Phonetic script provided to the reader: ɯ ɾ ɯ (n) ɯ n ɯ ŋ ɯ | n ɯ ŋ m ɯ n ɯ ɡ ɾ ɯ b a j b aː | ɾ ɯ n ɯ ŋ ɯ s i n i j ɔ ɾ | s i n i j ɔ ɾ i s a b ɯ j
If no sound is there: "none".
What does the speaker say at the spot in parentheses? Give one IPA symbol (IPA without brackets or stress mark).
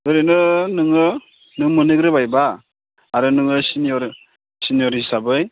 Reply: n